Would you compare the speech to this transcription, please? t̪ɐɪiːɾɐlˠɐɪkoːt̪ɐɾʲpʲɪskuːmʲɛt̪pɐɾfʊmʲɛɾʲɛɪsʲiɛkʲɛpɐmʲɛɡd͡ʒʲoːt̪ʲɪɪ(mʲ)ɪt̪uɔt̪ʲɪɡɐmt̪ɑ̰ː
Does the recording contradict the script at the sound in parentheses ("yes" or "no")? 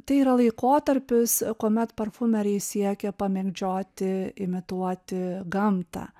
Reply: no